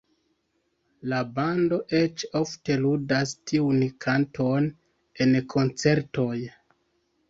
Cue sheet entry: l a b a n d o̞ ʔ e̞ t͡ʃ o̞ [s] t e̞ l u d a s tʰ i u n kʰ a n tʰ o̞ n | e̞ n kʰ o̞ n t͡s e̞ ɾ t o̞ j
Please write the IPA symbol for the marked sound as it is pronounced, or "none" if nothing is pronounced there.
f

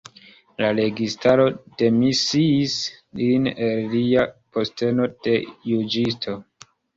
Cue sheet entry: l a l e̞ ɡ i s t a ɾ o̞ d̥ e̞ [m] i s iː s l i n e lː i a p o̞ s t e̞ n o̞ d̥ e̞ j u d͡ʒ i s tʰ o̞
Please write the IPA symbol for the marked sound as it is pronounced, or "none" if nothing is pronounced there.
m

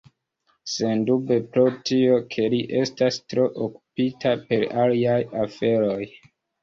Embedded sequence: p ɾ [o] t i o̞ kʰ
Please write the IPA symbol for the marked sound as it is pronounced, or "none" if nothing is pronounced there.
o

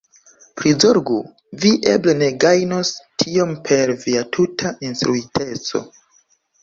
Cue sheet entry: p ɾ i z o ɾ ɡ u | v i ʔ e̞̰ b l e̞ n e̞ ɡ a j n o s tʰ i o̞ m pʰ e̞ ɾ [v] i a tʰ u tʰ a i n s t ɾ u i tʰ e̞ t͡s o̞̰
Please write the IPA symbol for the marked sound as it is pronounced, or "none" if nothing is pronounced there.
v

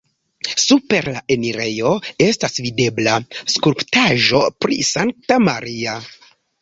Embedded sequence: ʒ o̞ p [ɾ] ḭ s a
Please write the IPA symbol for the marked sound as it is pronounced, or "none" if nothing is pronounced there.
ɾ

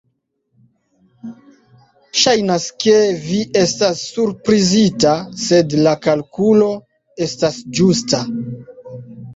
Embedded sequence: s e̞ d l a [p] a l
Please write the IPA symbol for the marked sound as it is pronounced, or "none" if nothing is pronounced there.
k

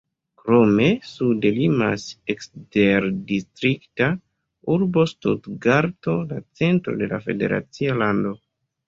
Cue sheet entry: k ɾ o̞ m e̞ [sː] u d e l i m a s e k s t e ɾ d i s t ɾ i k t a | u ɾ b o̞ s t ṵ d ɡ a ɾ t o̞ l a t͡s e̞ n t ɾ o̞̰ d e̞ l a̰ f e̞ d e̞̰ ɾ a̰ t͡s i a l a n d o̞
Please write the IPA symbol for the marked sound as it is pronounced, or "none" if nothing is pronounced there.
s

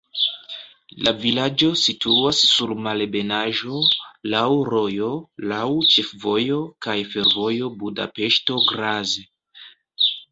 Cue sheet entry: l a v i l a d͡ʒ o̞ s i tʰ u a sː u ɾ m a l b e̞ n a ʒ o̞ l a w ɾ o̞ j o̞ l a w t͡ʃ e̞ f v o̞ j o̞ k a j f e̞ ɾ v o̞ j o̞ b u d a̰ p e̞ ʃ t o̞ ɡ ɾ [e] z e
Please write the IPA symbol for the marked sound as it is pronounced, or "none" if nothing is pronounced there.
a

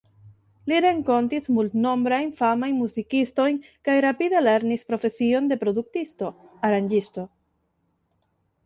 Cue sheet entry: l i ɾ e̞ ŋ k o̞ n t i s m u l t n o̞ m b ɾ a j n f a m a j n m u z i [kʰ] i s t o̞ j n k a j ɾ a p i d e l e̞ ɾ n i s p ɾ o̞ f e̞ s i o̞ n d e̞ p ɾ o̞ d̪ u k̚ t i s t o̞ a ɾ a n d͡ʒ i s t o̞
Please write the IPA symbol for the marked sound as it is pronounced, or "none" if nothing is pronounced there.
k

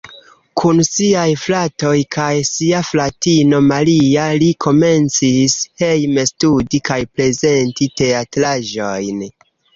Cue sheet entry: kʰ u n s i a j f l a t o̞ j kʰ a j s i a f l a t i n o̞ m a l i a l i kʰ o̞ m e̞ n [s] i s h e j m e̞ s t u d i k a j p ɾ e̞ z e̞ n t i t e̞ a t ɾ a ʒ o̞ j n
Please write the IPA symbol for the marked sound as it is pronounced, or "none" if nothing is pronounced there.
t͡s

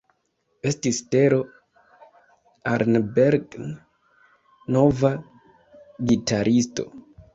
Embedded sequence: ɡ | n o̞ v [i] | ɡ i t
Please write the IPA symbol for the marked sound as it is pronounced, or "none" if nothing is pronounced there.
a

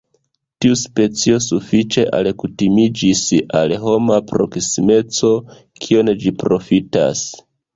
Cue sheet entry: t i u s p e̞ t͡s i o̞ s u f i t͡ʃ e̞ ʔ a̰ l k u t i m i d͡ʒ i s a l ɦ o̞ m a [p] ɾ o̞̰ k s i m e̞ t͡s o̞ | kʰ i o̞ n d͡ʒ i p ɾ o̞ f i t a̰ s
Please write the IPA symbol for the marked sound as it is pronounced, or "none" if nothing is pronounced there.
p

